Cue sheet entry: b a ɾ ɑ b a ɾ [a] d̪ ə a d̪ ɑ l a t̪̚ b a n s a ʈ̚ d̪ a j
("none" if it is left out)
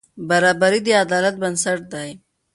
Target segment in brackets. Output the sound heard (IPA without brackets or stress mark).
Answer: i